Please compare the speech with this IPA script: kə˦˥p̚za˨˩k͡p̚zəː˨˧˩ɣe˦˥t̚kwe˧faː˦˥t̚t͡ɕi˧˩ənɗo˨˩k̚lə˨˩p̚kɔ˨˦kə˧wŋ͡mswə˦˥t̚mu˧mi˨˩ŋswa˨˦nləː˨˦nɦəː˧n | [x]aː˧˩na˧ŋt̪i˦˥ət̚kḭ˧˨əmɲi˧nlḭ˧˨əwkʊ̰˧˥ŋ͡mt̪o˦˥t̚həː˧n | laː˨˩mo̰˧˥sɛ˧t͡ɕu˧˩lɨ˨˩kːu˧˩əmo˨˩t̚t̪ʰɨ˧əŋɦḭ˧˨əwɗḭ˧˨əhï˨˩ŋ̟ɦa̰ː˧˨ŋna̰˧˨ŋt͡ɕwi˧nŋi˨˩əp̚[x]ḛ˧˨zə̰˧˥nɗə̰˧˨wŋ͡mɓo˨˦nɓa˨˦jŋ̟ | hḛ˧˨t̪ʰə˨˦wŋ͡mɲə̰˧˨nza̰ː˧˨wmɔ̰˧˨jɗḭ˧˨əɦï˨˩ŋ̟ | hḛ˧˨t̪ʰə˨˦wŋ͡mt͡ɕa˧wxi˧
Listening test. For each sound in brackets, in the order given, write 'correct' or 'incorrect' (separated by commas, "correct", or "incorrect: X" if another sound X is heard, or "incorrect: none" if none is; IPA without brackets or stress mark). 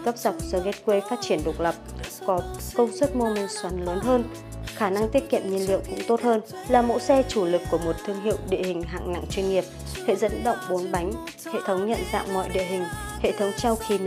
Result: correct, incorrect: h